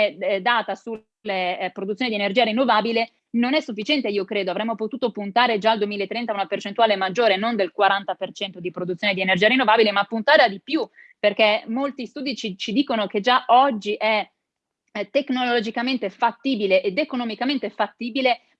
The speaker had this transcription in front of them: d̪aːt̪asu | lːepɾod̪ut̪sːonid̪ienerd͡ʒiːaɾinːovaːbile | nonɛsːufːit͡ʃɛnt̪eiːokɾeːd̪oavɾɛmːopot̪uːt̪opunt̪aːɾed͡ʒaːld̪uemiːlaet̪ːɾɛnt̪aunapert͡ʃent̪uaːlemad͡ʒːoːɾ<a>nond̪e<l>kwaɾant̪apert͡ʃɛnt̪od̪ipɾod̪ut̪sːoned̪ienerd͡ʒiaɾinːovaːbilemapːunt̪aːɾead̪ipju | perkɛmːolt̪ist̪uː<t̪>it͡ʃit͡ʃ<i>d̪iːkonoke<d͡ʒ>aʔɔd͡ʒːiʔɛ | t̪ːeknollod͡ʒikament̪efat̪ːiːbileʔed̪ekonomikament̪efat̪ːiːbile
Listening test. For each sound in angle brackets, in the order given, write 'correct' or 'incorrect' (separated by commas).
incorrect, correct, incorrect, correct, correct